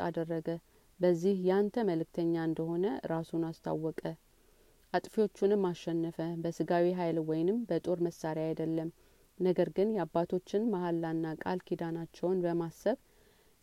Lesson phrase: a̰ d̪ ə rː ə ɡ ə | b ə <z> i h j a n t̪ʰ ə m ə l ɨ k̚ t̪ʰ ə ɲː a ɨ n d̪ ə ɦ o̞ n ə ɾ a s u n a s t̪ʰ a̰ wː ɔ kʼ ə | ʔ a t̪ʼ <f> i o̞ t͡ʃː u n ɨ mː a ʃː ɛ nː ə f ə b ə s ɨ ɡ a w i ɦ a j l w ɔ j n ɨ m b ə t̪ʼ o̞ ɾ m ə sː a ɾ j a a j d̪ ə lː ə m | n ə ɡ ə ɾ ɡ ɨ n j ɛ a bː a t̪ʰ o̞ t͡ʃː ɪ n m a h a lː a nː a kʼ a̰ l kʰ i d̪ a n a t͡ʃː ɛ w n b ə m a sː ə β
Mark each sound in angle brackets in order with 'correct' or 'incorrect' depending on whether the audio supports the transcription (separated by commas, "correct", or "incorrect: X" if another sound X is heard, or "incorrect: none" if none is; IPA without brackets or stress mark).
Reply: incorrect: zː, correct